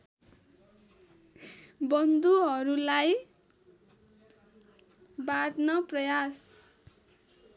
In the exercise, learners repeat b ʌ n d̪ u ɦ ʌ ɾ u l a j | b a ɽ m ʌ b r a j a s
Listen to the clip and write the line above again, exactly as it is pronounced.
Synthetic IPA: b ʌ n d̪ u ɦ ʌ ɾ u l a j | b a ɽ n ʌ p r ʌ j a s